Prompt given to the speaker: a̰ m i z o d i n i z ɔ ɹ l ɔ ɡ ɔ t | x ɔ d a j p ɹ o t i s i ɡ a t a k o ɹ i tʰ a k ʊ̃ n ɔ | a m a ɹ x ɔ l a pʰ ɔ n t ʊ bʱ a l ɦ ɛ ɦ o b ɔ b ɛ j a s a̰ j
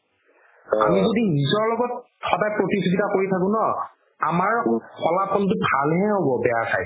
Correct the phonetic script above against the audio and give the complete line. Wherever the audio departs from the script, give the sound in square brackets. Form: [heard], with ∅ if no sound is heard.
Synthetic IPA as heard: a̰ m i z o d i n i z ɔ ɹ l ɔ ɡ ɔ t | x ɔ d a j p ɹ o t i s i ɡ [i] t a k o ɹ i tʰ a k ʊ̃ n ɔ | a m a ɹ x ɔ l a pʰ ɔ n t ʊ bʱ a l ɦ ɛ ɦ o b ɔ b ɛ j a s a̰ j